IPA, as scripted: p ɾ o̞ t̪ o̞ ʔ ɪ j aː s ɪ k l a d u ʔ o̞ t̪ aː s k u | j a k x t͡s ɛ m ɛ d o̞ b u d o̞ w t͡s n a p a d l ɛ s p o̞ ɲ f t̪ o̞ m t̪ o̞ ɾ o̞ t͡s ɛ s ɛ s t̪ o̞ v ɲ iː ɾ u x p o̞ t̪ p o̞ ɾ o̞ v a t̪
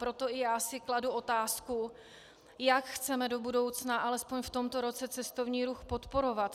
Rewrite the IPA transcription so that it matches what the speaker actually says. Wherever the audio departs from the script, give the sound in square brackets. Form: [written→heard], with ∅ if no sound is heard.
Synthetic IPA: p ɾ o̞ t̪ o̞ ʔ ɪ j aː s ɪ k l a d u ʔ o̞ t̪ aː s k u | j a k x t͡s ɛ m ɛ d o̞ b u d o̞ w t͡s n a [p→ʔ] a [d→∅] l ɛ s p o̞ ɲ f t̪ o̞ m t̪ o̞ ɾ o̞ t͡s ɛ [s→t͡s] ɛ s t̪ o̞ v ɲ iː ɾ u x p o̞ t̪ p o̞ ɾ o̞ v a t̪